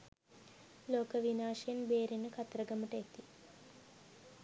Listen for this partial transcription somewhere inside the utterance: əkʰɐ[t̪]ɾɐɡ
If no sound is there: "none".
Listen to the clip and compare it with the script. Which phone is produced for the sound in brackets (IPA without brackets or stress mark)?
t̪